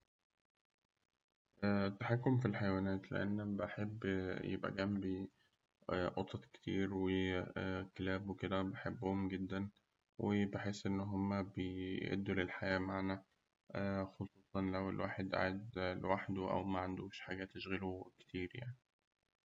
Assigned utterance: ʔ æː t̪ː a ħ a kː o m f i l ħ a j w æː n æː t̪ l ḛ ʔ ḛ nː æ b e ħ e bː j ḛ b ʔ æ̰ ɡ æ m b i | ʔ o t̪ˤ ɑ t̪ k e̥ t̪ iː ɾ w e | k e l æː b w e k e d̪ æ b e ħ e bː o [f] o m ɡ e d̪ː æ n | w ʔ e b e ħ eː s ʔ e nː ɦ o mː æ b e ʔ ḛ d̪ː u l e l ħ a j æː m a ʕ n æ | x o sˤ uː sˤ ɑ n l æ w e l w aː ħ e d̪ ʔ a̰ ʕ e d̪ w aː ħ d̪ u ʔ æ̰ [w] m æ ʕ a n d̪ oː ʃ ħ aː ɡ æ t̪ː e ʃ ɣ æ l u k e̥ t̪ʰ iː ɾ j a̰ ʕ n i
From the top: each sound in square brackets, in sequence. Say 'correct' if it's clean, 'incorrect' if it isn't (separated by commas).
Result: incorrect, correct